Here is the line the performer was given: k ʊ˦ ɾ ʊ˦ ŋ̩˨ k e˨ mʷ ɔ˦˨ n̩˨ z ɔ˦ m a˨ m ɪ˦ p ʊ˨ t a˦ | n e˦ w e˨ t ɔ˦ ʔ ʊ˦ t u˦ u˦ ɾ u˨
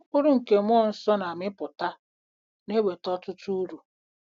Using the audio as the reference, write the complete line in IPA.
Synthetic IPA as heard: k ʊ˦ ɾ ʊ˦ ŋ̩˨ k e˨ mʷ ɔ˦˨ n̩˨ s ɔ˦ n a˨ m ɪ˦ p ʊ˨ t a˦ | n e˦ w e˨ t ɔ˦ t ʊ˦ t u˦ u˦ ɾ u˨